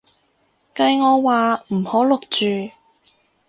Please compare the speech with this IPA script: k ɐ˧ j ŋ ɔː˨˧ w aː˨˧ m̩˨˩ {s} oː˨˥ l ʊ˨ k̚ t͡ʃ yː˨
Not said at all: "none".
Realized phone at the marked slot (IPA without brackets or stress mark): h